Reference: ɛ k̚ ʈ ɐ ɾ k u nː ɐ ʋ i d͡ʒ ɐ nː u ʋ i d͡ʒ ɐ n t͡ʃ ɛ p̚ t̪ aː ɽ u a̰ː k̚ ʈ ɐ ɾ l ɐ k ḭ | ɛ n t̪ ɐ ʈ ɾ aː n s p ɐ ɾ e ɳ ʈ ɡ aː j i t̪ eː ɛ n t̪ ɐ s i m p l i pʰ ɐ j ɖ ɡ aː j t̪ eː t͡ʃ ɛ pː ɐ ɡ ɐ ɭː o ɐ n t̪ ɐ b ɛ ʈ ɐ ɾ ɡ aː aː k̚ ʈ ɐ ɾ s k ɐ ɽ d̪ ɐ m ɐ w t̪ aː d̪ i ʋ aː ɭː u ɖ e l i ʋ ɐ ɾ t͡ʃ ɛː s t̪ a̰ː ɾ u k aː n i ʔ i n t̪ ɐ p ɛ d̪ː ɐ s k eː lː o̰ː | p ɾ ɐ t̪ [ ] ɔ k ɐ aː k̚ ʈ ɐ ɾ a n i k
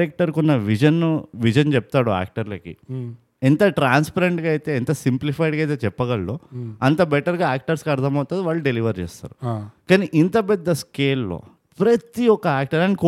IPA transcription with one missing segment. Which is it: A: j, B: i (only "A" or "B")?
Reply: B